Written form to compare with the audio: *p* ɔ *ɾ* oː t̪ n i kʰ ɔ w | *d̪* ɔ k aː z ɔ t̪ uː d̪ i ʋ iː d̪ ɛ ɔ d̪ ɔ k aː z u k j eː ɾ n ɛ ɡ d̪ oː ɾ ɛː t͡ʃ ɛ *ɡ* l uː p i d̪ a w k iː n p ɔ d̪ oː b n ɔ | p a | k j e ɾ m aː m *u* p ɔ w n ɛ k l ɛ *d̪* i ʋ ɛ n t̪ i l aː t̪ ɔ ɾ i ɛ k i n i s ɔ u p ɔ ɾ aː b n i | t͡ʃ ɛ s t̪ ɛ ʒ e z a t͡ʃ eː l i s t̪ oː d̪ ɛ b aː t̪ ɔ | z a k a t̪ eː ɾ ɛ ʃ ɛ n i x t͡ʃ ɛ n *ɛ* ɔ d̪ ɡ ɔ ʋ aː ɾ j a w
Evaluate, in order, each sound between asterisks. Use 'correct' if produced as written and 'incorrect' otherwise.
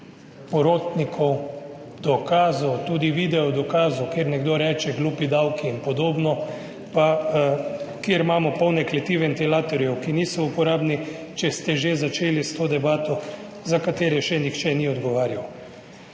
correct, correct, correct, correct, incorrect, incorrect, incorrect

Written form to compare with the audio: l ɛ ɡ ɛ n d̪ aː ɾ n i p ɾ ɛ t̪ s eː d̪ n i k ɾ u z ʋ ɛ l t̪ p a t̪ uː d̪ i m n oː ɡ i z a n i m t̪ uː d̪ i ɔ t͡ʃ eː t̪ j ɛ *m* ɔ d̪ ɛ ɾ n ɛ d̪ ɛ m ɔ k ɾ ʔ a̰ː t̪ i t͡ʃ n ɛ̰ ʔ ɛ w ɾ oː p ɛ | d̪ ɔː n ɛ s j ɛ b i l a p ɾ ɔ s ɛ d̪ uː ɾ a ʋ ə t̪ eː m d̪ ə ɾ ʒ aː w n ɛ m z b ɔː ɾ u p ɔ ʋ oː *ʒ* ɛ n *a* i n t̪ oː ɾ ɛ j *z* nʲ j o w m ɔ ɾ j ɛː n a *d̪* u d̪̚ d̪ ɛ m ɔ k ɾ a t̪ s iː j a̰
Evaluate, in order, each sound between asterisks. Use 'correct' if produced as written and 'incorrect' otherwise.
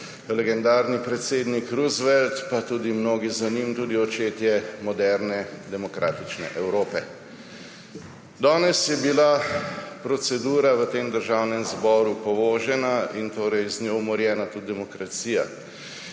correct, correct, correct, correct, incorrect

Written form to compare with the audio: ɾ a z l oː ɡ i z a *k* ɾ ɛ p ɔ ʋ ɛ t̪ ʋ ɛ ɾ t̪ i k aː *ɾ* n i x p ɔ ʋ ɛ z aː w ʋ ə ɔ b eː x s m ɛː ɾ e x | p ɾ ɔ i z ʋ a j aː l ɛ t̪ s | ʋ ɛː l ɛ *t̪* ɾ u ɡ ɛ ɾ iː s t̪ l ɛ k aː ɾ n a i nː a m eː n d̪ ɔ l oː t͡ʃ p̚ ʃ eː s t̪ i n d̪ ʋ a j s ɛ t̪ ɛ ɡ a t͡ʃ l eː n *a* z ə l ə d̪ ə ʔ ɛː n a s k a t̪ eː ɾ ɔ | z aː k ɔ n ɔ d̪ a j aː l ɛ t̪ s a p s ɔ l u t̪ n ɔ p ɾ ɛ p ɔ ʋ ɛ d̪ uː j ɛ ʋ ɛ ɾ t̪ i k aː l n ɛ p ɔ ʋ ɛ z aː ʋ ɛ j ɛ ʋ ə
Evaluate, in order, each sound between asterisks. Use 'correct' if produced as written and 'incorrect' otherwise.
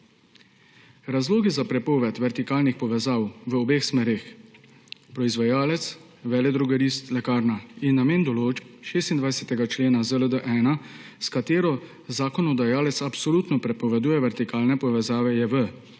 incorrect, incorrect, incorrect, correct

